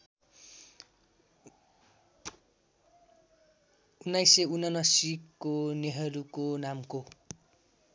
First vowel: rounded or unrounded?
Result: rounded